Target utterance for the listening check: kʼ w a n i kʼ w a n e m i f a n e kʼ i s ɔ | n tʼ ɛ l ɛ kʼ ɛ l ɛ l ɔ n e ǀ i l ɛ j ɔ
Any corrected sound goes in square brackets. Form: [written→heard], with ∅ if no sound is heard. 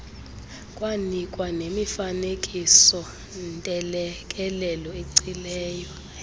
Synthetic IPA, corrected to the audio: kʼ w a n i kʼ w a n e m i f a n e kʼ i s ɔ | n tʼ ɛ l ɛ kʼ ɛ l ɛ l ɔ [n→∅] e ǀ i l [ɛ→ɛː] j ɔ